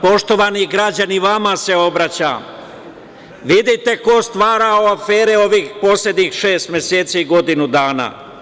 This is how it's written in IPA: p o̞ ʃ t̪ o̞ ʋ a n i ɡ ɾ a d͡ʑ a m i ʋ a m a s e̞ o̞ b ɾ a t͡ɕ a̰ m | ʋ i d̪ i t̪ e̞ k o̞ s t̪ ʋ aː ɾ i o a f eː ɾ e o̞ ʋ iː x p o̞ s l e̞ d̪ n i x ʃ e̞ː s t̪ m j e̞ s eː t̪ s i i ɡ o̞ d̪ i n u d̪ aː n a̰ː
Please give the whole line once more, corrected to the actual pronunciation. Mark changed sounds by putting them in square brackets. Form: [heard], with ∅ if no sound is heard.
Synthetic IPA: p o̞ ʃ t̪ o̞ ʋ a n i ɡ ɾ a d͡ʑ a [n] i ʋ a m a s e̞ o̞ b ɾ a t͡ɕ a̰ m | ʋ i d̪ i t̪ e̞ k o̞ s t̪ ʋ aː ɾ [a] o a f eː ɾ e o̞ ʋ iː x p o̞ s l e̞ d̪ [ɲ] i x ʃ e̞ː s t̪ m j e̞ s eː t̪ s i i ɡ o̞ d̪ i n u d̪ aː n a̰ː